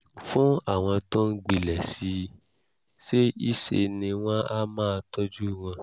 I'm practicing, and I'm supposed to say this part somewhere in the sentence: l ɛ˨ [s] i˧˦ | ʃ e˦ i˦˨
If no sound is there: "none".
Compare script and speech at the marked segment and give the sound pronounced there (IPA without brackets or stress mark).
s